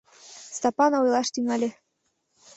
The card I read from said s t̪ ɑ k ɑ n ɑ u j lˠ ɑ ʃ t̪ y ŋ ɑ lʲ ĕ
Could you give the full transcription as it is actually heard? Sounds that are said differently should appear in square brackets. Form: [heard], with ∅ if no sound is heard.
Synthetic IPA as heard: s t̪ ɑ [p] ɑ n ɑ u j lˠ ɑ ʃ t̪ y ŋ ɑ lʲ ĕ